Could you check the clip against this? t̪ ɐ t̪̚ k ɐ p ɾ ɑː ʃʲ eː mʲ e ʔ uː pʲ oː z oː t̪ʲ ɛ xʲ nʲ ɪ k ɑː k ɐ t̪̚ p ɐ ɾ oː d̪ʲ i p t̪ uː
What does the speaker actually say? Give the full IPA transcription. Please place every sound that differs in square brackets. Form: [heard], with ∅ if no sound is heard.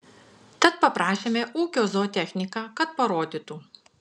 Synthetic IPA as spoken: t̪ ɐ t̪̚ [p] ɐ p ɾ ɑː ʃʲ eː mʲ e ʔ uː [kʲ] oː z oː t̪ʲ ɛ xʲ nʲ ɪ k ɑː k ɐ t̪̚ p ɐ ɾ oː d̪ʲ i [∅] t̪ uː